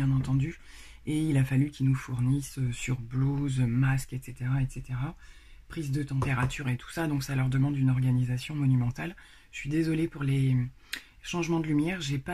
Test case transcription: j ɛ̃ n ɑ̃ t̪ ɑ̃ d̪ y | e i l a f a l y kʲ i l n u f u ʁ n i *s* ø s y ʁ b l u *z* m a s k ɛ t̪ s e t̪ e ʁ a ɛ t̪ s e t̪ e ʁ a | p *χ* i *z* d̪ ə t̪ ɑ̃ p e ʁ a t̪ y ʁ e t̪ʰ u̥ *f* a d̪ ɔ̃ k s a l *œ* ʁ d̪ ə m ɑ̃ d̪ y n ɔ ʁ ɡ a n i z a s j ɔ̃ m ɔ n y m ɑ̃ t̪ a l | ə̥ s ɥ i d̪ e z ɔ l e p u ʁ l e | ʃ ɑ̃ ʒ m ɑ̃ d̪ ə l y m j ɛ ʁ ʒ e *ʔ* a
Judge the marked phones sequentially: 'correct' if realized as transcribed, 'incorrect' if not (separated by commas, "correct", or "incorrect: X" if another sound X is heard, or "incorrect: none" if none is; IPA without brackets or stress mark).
correct, correct, correct, correct, incorrect: s, correct, incorrect: p